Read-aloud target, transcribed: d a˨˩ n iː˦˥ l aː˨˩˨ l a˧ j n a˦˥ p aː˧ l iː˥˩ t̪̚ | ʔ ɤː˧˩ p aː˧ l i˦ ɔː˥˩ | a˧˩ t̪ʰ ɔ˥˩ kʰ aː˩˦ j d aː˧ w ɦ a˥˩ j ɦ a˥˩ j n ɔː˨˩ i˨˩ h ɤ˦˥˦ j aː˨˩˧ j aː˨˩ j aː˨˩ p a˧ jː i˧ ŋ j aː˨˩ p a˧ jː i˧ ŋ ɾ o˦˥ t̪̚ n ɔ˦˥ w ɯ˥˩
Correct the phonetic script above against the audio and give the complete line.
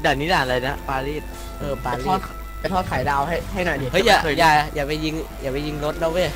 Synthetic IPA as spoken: d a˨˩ n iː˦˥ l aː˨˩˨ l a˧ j n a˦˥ p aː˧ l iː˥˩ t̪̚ | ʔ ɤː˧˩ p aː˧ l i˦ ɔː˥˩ | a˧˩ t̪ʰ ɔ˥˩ kʰ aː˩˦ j d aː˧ w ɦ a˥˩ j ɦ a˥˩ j n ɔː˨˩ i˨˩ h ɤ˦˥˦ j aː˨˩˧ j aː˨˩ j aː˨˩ p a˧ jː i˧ ŋ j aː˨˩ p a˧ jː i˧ ŋ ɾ o˦˥ t̪̚ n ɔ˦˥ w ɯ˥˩